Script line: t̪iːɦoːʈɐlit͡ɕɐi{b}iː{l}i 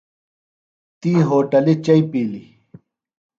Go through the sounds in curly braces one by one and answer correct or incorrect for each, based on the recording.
incorrect: p, correct

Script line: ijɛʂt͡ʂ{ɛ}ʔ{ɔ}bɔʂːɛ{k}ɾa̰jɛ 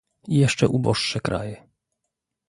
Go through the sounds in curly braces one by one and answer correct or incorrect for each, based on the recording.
correct, incorrect: u, correct

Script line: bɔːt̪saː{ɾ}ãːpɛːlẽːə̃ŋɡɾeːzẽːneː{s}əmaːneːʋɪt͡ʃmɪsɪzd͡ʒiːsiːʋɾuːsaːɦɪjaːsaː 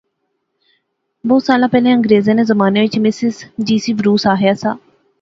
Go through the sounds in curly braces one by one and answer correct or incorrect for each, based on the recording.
incorrect: l, incorrect: z

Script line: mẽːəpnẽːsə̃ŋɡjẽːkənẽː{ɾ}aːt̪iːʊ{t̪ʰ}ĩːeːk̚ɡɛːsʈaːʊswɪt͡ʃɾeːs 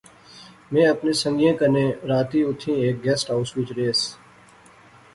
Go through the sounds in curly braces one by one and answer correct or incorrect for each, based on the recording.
correct, correct

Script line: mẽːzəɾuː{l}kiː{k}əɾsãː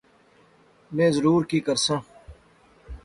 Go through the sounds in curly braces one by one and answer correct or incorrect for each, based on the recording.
incorrect: ɾ, correct

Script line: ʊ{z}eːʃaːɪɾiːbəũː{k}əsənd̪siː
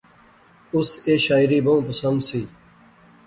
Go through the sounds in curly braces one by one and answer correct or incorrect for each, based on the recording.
incorrect: s, incorrect: p

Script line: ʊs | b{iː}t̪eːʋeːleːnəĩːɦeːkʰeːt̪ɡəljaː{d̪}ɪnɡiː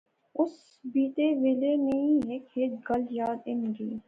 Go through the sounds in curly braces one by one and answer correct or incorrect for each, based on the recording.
correct, correct

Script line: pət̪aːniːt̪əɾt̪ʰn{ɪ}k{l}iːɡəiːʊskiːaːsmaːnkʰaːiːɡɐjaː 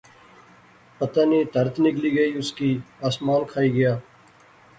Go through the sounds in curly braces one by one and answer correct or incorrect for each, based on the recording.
correct, correct

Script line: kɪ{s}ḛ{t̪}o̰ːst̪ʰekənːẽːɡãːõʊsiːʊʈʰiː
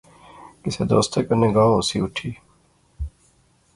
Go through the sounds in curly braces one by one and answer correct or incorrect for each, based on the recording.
correct, incorrect: d̪

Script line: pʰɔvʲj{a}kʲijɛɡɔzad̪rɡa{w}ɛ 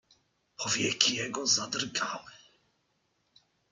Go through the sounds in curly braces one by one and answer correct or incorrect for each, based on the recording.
incorrect: ɛ, correct

